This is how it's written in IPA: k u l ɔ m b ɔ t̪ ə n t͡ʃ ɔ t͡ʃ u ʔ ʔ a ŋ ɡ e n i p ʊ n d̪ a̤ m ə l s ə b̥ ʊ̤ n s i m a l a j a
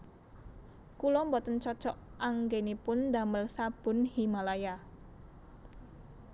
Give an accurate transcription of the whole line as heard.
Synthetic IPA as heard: k u l ɔ m b ɔ t̪ ə n t͡ʃ ɔ t͡ʃ ɔ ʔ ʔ a ŋ ɡ e n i p ʊ n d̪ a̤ m ə l s a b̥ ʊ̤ n h i m a l a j a